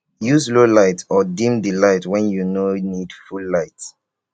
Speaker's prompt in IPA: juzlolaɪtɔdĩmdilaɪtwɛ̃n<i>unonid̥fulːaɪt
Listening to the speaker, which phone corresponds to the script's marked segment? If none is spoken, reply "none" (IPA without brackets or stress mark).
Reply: j